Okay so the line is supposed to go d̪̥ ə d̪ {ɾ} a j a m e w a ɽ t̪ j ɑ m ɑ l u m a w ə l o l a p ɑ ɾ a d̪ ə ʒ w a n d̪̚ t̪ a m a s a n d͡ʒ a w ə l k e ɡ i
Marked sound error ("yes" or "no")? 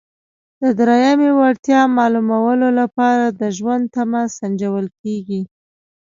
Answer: no